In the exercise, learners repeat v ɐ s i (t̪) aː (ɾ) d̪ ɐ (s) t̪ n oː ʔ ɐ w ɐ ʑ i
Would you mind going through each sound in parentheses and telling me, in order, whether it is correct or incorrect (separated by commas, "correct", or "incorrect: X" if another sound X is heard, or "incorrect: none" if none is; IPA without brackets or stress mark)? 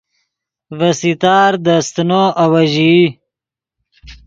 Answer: correct, correct, correct